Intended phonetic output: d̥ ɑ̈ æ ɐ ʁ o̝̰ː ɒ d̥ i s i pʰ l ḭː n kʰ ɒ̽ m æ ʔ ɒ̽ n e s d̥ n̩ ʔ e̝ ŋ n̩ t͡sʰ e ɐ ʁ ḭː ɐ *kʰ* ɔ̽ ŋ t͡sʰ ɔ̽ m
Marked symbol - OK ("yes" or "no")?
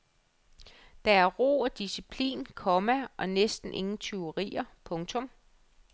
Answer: no